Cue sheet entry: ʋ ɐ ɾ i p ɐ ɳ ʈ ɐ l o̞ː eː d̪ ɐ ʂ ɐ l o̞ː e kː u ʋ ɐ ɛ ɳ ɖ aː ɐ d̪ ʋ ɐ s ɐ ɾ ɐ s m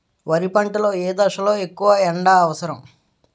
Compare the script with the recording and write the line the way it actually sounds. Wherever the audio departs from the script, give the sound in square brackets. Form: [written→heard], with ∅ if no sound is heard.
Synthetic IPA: ʋ ɐ ɾ i p ɐ ɳ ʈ ɐ l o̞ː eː d̪ ɐ ʂ ɐ l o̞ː e kː u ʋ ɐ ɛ ɳ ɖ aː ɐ [d̪→∅] ʋ ɐ s ɐ ɾ ɐ [s→∅] m